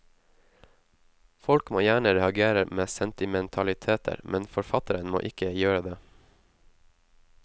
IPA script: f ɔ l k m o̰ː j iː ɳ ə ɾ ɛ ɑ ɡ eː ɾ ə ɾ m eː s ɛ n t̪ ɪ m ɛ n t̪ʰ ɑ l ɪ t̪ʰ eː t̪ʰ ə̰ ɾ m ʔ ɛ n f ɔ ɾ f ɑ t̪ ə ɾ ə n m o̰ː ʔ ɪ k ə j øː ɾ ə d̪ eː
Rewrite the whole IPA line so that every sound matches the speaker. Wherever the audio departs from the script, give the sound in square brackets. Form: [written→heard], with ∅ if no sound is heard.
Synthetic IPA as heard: f ɔ l k m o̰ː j [iː→æː] ɳ ə ɾ ɛ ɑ ɡ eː ɾ ə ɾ m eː s ɛ n t̪ ɪ m ɛ n t̪ʰ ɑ l ɪ t̪ʰ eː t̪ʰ ə̰ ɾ m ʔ ɛ n f ɔ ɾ f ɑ t̪ ə ɾ ə n m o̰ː ʔ ɪ k ə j øː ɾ ə d̪ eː

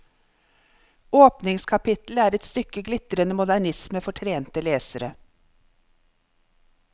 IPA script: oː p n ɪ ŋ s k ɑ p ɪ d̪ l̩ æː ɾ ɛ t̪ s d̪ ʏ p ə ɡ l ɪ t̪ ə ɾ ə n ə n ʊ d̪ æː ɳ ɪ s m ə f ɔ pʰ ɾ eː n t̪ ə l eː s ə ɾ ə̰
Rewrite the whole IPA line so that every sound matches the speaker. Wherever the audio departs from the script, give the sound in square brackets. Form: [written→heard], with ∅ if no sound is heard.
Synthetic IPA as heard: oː p n ɪ ŋ s [k→kʰ] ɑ p ɪ [d̪→t̪] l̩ æː ɾ ɛ t̪ s [d̪→t̪] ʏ [p→k] ə ɡ l ɪ t̪ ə ɾ ə n ə [n→m] ʊ d̪ [æː→æ] ɳ ɪ s m ə f ɔ [pʰ→ʈʰ] ɾ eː n t̪ ə l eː s ə ɾ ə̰

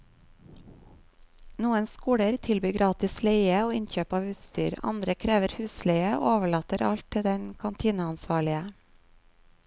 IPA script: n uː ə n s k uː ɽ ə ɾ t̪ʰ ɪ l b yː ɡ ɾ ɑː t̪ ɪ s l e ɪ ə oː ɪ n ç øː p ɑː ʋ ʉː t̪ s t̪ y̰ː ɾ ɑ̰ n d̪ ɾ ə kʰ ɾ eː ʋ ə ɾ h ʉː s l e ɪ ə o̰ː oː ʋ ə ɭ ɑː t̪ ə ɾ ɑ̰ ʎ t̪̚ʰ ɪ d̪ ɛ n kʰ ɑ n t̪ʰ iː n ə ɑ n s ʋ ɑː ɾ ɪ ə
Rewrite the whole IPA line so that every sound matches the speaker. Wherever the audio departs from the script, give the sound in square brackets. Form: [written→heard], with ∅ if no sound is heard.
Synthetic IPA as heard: n uː ə n s k uː ɽ ə ɾ t̪ʰ ɪ l b yː ɡ ɾ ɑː t̪ ɪ s l e ɪ ə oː ɪ n ç øː p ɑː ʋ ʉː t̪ s t̪ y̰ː ɾ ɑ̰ n d̪ ɾ ə kʰ ɾ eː ʋ ə ɾ h ʉː s l e ɪ ə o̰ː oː ʋ ə ɭ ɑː t̪ ə ɾ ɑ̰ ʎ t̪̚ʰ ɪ d̪ ɛ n kʰ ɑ n t̪ʰ iː n ə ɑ n s ʋ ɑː [ɾ→ɭ] ɪ ə

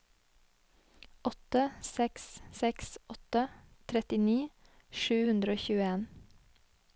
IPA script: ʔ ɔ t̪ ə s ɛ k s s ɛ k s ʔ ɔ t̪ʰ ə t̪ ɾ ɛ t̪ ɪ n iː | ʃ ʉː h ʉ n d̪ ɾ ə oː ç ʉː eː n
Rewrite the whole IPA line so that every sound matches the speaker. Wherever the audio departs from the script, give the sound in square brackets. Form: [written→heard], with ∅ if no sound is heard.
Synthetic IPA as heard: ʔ ɔ t̪ ə s ɛ k s s ɛ k s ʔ ɔ [t̪ʰ→t̪] ə [t̪→t̪ʰ] ɾ ɛ t̪ ɪ n iː | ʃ ʉː h ʉ n d̪ ɾ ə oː ç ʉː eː n

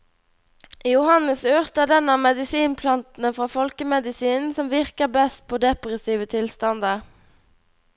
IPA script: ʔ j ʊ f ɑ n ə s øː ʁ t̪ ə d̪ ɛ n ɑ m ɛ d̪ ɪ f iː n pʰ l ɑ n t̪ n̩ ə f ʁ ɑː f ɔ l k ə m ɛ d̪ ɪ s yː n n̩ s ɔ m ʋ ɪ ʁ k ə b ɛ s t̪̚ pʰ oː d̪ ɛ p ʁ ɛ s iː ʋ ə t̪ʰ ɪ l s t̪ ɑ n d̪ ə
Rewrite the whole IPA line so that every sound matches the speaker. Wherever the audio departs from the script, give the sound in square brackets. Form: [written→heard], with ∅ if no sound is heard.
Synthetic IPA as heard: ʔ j ʊ [f→h] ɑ n ə s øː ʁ t̪ ə d̪ ɛ n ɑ m ɛ d̪ ɪ [f→s] iː n pʰ l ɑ n t̪ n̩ ə f ʁ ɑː f ɔ l k ə m ɛ d̪ ɪ s [yː→iː] n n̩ s ɔ m ʋ ɪ ʁ k ə b ɛ s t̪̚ pʰ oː d̪ ɛ p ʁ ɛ s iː ʋ ə t̪ʰ ɪ l s t̪ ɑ n d̪ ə

